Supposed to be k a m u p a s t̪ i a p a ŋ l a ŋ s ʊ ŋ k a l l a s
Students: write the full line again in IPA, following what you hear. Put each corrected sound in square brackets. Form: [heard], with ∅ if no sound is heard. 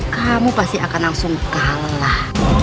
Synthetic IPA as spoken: k a m u p a s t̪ i a [k] a [n] l a ŋ s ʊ ŋ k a l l a [h]